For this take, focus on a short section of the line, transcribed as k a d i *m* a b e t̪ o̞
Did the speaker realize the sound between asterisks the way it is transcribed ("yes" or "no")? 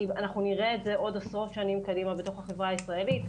yes